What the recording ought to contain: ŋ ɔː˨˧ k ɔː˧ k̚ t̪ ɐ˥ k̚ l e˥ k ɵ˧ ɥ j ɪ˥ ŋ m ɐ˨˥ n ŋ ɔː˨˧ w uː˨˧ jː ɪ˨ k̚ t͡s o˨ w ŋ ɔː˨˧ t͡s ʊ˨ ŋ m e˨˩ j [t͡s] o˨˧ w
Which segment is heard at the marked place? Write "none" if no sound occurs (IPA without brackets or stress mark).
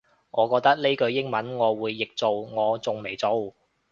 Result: t͡s